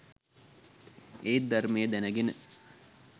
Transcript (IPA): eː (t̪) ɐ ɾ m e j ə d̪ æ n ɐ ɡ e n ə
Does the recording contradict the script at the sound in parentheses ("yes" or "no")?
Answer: yes